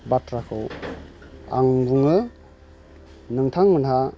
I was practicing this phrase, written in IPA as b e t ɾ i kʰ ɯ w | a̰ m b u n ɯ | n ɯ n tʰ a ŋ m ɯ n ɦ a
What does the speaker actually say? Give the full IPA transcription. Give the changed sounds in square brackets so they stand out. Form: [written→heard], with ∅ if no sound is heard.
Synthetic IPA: b [e→a] t ɾ [i→a] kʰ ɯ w | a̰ [m→ŋ] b u [n→ŋ] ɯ | n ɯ [n→ŋ] tʰ a ŋ m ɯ n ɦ a